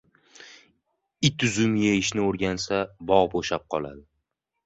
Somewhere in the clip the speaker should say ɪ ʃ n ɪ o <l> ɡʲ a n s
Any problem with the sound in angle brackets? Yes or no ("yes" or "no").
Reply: yes